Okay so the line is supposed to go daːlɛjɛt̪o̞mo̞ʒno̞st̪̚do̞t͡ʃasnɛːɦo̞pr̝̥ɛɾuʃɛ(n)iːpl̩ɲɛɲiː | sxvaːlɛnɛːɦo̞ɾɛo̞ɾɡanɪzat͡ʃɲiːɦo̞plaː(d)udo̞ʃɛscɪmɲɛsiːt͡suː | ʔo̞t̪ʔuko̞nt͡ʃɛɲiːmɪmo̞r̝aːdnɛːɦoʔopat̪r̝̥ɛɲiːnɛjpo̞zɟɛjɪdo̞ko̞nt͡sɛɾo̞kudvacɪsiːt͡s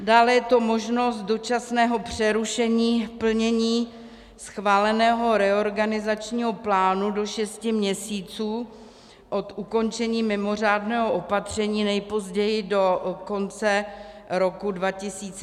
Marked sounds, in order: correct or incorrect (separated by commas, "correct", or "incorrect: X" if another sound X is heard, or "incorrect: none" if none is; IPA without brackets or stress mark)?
incorrect: ɲ, incorrect: n